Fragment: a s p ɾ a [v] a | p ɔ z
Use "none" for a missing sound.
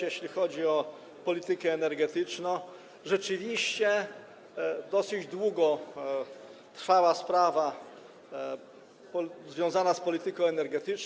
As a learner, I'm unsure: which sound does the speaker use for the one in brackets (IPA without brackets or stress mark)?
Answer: v